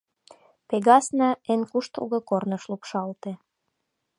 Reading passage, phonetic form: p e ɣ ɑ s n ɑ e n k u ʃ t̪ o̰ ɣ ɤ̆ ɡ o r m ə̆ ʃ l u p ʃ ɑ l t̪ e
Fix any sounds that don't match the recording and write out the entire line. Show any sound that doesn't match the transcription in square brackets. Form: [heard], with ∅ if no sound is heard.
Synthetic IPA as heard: p e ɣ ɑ s n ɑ e n k u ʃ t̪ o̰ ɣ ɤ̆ [k] o r [n] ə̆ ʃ l u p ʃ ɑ l t̪ e